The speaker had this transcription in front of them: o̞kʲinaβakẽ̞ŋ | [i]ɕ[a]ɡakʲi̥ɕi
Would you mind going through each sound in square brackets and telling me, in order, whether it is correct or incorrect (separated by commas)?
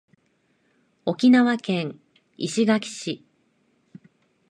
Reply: correct, incorrect